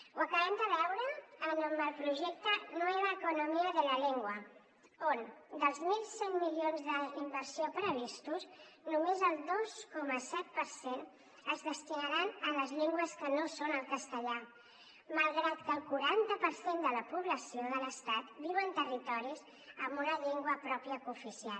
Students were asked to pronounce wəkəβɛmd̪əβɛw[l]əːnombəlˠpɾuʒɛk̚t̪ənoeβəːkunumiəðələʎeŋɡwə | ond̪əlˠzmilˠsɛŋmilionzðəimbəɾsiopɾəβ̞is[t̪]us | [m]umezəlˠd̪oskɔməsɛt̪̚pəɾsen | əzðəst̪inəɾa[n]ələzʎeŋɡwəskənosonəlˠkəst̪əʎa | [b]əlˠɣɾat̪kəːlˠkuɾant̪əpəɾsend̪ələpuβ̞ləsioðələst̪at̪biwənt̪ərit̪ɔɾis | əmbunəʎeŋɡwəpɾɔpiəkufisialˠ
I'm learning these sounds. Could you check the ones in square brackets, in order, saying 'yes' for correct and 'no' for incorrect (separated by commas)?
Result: no, yes, no, yes, no